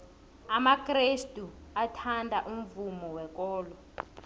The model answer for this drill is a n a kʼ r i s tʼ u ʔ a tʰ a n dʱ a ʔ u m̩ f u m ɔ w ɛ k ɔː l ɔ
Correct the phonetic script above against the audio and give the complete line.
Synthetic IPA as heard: a m a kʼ r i s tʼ u a tʰ a n dʱ a ʔ u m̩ v u m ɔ w ɛ k ɔː l ɔ